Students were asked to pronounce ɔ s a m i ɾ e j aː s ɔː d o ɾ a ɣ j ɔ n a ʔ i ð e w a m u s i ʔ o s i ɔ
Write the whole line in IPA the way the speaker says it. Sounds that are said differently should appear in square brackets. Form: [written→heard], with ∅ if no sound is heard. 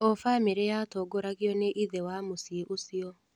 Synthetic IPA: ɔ [s→f] a m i ɾ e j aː [s→t] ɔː [d→ɡ] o ɾ a ɣ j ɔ n [a→e] ʔ i ð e w a m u s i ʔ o s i ɔ